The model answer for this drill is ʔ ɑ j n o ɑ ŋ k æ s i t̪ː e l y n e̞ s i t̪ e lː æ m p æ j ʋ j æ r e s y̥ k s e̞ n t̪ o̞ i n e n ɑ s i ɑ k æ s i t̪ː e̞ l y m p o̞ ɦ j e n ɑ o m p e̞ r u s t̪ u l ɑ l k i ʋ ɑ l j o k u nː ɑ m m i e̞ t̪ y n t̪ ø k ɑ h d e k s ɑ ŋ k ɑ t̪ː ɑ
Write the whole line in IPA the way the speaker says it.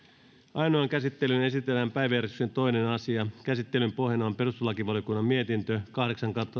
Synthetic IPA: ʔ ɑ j n o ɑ ŋ k æ s i t̪ː e l y n e̞ s i t̪ e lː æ m p æ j ʋ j æ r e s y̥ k s e̞ n t̪ o̞ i n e n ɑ s i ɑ k æ s i t̪ː e̞ l y m p o̞ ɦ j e n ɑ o m p e̞ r u s t̪ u l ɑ k i ʋ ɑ l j o k u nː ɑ m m i e̞ t̪ i n t̪ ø k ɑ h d e k s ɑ ŋ k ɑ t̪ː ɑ